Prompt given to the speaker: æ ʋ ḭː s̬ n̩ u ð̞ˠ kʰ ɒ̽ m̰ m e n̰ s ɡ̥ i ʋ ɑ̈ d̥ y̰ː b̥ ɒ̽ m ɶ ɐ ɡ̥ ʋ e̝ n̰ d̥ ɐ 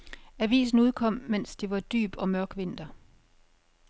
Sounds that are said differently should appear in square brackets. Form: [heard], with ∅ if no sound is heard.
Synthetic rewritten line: æ ʋ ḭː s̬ n̩ u ð̞ˠ kʰ ɒ̽ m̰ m e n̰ s [d̥] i ʋ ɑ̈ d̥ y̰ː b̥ ɒ̽ m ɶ ɐ ɡ̥ ʋ e̝ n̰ d̥ ɐ